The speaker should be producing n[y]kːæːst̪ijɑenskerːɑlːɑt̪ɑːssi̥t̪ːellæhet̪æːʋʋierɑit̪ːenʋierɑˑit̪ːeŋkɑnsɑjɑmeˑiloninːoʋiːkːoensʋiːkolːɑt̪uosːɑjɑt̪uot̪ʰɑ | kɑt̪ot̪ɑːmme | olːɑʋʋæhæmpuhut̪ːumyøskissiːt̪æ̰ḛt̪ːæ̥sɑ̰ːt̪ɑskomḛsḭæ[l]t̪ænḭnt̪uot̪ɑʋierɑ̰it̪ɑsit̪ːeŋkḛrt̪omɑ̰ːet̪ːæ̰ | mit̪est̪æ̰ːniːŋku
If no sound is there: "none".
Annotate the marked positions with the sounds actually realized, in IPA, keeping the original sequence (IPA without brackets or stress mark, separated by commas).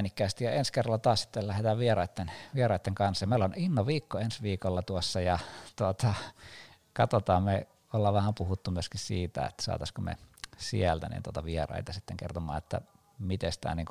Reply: i, l